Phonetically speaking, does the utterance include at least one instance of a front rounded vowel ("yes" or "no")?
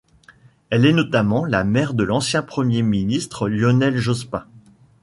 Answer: no